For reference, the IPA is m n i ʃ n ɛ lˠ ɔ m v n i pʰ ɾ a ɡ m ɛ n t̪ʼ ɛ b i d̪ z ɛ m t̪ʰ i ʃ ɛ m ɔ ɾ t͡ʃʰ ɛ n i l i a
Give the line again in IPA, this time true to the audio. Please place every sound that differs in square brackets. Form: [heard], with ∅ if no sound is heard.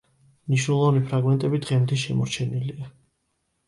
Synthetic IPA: m n i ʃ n ɛ lˠ ɔ [∅] v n i pʰ ɾ a ɡ m ɛ n t̪ʼ ɛ b i d̪ [ʁ] ɛ m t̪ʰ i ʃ ɛ m ɔ ɾ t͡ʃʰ ɛ n i l i a